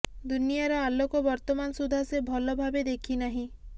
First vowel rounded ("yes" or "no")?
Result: yes